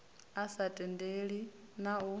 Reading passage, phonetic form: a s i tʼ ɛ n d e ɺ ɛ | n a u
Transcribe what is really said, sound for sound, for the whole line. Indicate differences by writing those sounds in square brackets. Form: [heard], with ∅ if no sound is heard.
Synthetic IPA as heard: a s [a] tʼ ɛ n d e ɺ [i] | n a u